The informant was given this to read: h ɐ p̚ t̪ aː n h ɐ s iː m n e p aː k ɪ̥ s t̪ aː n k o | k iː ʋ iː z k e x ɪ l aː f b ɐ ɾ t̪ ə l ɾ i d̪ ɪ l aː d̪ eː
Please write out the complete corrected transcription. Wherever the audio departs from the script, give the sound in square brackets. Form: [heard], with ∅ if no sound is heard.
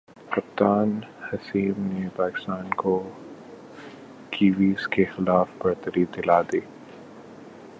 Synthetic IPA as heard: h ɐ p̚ t̪ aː n h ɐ s iː m n e p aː k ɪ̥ s t̪ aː n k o | k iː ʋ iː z k e x ɪ l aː f b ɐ ɾ t̪ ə [∅] ɾ i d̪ ɪ l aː d̪ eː

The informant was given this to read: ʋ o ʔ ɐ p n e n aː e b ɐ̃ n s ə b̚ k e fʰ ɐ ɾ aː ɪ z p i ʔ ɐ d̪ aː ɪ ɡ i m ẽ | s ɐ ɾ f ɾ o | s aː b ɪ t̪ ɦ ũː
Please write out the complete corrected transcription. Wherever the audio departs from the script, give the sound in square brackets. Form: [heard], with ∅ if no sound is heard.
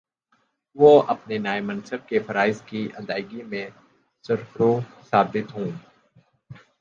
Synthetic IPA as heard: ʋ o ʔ ɐ p n e n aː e [m] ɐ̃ n s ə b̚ k e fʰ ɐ ɾ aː ɪ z [k] i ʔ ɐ d̪ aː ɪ ɡ i m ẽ | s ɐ ɾ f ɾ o | s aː b ɪ t̪ ɦ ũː

